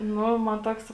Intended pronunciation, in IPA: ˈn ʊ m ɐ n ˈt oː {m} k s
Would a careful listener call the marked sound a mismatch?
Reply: yes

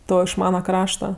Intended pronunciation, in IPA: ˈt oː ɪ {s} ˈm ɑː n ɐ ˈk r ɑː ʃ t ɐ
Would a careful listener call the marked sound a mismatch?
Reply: yes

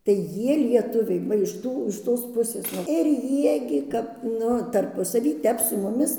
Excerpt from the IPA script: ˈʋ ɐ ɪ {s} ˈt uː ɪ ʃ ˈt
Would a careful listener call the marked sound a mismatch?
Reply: yes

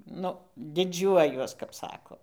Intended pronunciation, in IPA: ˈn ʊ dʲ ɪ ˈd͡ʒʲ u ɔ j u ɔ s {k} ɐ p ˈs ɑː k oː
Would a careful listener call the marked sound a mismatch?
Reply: no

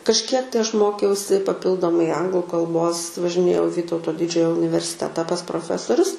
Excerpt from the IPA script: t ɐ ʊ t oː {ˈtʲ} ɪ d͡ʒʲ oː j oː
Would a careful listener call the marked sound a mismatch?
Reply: yes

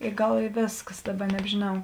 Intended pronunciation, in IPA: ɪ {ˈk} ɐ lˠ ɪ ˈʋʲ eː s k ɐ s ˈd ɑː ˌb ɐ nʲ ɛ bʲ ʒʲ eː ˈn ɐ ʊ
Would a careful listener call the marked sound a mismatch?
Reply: yes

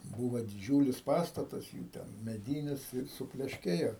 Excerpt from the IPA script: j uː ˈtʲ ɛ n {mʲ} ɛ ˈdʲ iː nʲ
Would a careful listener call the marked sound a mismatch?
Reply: no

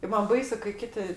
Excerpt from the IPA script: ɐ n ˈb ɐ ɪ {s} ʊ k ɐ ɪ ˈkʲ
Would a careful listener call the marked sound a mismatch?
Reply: no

